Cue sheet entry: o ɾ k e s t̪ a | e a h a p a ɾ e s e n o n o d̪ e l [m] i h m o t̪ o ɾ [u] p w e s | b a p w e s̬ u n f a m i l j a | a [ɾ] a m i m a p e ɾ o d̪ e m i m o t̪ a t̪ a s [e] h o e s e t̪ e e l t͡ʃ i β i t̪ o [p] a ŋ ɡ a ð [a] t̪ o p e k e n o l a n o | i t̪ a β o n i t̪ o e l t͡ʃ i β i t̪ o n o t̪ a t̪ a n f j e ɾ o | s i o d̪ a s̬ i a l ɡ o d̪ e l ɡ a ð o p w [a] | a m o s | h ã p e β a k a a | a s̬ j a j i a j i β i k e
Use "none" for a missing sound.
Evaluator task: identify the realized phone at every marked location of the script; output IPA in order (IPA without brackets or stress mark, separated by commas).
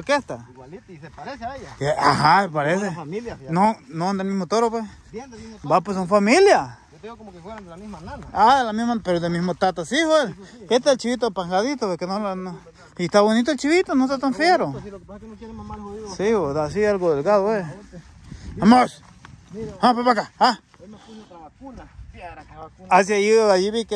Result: m, o, l, i, p, i, e